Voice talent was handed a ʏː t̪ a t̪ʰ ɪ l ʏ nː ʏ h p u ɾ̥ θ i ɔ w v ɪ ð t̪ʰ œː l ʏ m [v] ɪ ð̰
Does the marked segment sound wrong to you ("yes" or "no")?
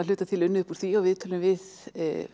no